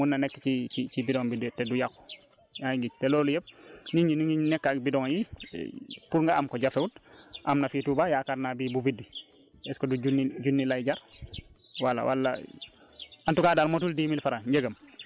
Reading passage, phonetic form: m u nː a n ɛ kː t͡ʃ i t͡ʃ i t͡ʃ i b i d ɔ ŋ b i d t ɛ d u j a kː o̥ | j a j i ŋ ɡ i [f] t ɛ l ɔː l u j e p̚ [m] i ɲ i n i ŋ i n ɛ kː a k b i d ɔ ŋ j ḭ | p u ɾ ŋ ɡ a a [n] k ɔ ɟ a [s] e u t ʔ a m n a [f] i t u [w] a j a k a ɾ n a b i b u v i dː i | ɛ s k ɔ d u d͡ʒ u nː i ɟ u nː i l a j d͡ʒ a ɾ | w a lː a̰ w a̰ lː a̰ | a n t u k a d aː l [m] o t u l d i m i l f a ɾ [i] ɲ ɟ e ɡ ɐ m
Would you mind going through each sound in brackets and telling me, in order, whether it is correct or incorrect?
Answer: incorrect: s, incorrect: n, incorrect: m, incorrect: f, correct, incorrect: b, correct, incorrect: a

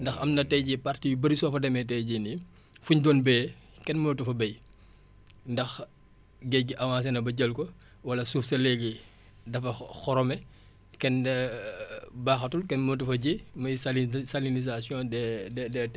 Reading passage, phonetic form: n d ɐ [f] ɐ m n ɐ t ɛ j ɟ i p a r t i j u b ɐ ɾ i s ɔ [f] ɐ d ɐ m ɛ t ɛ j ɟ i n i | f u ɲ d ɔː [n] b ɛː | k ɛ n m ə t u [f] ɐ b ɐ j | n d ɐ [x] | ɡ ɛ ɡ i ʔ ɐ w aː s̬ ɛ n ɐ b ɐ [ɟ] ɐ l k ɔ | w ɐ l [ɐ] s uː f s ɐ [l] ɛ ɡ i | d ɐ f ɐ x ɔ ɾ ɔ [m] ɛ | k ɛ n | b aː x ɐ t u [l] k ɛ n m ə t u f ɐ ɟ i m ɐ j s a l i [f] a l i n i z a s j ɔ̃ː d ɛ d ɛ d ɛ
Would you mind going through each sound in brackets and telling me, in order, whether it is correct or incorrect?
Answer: incorrect: x, correct, correct, correct, correct, correct, correct, correct, correct, correct, incorrect: s

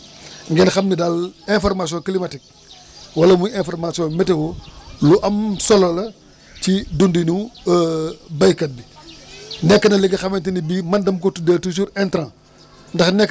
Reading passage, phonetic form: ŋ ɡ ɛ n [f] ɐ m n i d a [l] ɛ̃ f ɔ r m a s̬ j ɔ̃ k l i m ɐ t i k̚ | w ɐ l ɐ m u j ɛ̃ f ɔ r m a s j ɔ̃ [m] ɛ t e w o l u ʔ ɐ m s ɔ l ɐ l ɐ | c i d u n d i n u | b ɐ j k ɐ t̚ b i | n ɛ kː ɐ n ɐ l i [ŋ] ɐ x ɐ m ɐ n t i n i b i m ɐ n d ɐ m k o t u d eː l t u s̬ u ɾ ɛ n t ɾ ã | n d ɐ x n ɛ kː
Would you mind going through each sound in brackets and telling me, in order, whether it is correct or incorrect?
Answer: incorrect: x, correct, correct, incorrect: ɡ

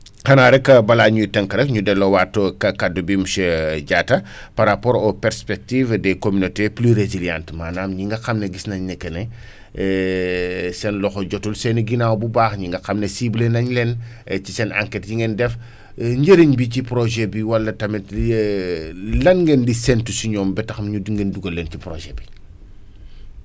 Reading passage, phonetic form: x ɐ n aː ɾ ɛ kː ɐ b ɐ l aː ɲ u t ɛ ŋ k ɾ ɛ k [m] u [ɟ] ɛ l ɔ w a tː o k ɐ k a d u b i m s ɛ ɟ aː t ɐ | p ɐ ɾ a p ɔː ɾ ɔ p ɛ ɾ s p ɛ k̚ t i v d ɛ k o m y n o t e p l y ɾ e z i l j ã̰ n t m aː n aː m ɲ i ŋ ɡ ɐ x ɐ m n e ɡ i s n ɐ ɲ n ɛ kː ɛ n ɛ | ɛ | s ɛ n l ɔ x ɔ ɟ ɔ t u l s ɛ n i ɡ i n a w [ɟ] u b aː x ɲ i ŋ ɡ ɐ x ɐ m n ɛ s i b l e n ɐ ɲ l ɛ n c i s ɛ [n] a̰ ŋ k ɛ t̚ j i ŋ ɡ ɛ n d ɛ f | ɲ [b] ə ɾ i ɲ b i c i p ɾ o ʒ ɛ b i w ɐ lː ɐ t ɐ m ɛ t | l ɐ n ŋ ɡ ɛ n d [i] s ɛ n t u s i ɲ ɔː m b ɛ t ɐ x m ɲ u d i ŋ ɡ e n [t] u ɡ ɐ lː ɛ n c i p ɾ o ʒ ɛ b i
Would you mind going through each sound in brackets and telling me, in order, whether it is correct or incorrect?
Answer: incorrect: ɲ, incorrect: d, incorrect: b, correct, incorrect: ɟ, correct, incorrect: d

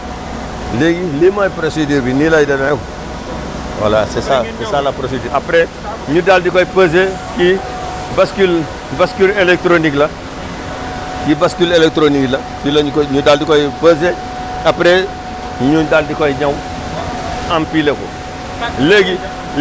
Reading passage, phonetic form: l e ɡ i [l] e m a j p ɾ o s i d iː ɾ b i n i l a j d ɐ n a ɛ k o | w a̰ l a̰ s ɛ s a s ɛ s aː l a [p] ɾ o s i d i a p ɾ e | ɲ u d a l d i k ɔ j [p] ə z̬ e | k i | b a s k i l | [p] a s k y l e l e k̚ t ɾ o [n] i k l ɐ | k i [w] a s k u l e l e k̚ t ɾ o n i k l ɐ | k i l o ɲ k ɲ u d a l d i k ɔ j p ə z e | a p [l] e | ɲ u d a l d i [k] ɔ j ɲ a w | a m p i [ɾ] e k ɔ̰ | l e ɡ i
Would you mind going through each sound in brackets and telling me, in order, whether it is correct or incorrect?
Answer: correct, correct, correct, incorrect: b, correct, incorrect: b, incorrect: ɾ, correct, incorrect: l

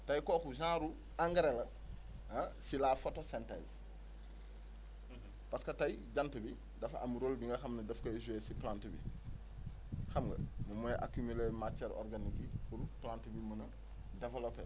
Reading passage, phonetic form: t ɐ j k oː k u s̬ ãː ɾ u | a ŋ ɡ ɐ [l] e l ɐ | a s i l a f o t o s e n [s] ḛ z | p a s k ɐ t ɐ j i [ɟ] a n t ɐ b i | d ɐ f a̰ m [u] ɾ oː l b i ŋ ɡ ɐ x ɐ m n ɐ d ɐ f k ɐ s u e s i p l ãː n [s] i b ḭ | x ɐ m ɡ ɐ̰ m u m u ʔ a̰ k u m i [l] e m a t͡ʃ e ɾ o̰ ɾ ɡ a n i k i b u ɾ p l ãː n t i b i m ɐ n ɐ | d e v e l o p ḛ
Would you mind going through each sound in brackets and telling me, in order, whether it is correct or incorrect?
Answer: incorrect: ɾ, incorrect: t, correct, correct, incorrect: t, correct

